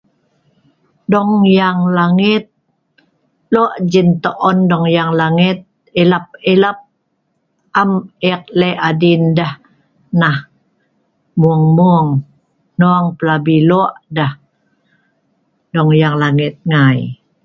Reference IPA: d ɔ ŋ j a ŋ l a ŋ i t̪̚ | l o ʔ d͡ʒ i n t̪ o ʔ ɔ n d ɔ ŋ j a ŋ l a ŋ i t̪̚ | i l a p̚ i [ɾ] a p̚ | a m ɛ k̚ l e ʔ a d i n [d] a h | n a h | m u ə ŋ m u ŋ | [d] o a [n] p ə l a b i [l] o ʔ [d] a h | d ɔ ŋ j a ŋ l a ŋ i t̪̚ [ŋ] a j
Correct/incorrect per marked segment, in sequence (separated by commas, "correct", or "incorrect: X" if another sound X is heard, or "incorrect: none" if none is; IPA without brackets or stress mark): incorrect: l, correct, incorrect: n, incorrect: ŋ, correct, correct, correct